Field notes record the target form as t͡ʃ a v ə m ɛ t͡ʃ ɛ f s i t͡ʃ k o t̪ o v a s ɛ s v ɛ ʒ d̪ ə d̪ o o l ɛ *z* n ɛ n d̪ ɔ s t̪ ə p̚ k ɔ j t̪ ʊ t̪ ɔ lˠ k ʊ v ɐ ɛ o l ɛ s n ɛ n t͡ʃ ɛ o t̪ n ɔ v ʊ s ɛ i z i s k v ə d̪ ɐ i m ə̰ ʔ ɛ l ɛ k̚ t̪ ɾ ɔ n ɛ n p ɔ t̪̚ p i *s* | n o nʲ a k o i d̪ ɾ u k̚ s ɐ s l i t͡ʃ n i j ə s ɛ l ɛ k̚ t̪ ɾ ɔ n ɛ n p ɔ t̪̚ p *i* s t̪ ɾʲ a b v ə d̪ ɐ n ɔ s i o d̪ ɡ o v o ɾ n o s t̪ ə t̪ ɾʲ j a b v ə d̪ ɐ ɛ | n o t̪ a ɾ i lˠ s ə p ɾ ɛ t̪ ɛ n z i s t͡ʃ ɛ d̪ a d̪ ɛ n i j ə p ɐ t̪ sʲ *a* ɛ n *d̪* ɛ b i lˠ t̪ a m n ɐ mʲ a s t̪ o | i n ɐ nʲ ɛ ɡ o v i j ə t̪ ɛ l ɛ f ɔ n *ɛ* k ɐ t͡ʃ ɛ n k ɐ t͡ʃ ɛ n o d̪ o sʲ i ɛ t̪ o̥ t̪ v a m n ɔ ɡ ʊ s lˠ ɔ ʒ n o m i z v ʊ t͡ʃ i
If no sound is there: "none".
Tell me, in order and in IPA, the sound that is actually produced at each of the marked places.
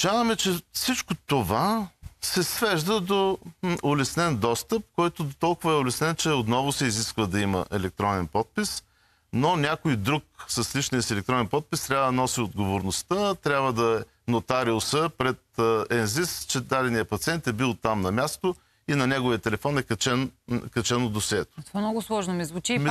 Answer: s, s, i, i, t̪, ɛ

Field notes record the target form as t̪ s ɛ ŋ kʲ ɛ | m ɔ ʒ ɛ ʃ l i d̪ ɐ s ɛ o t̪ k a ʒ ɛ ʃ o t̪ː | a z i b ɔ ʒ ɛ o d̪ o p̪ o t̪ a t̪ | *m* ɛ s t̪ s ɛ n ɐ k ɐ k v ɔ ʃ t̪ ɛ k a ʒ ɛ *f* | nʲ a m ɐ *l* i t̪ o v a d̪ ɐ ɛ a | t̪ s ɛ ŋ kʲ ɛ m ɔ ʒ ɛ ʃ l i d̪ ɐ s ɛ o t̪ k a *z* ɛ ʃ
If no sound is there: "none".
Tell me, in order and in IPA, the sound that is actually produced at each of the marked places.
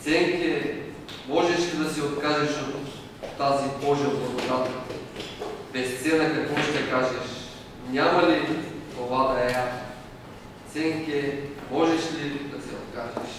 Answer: b, ʃ, l, ʒ

